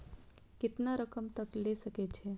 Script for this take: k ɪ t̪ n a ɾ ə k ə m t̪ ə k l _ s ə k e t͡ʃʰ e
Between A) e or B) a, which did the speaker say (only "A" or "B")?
A